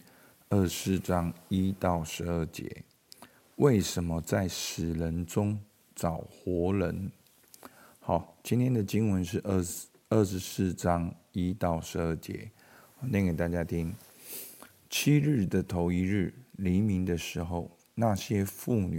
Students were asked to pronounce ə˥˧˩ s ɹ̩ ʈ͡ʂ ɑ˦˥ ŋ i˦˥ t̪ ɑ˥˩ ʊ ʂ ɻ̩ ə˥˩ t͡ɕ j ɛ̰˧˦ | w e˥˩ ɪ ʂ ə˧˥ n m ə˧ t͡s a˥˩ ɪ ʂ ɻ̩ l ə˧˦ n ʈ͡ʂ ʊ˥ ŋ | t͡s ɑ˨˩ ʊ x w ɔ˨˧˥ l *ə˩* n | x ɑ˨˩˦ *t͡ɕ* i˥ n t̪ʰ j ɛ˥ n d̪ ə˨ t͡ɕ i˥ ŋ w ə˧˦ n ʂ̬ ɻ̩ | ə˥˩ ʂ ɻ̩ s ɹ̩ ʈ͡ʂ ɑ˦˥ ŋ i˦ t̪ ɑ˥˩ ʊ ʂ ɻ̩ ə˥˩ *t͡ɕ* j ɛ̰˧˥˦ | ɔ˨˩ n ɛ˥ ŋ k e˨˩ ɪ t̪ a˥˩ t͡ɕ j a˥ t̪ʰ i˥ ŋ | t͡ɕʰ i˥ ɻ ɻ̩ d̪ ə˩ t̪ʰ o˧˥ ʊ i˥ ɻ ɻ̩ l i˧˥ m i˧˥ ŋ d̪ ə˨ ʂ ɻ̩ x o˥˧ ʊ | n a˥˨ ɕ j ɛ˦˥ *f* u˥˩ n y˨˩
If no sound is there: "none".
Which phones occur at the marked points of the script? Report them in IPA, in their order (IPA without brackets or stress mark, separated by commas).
ə˧˦, t͡ɕ, t͡ɕ, f